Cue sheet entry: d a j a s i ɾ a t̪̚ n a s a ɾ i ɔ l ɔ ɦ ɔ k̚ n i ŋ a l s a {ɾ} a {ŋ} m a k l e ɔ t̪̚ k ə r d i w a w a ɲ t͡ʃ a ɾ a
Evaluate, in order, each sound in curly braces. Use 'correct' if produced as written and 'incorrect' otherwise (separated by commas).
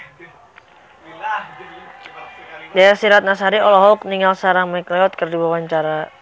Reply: correct, correct